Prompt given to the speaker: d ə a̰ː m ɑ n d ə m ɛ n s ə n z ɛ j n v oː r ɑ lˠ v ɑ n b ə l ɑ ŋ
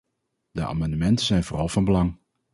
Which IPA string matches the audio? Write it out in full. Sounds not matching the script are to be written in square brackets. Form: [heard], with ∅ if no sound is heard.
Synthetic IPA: d ə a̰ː m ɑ n d ə m ɛ n [t] ə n z ɛ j n v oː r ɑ lˠ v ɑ n b ə l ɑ ŋ